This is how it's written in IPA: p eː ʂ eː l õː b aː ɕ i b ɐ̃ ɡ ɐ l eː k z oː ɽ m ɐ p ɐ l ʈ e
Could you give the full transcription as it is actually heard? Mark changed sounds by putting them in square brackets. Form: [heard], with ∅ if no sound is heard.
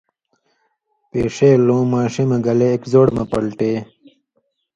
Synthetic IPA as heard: p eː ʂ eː l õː [m] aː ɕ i [m] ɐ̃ ɡ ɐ l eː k z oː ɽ m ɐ p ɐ l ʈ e